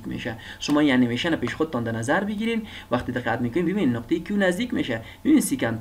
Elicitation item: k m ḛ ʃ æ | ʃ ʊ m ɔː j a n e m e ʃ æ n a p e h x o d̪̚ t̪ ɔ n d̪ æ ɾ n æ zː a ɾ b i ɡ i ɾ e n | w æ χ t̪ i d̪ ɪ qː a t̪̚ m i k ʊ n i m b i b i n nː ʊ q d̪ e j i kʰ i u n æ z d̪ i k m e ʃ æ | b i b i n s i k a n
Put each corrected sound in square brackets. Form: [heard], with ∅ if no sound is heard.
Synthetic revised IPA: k m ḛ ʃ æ | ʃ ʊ m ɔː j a n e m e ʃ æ n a p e [ʃ] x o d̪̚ t̪ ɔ n d̪ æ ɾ n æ [z] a ɾ b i ɡ i ɾ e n | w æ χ t̪ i d̪ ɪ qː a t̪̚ m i k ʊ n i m b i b i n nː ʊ q [t̪] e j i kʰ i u n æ z d̪ i k m e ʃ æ | b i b i n s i k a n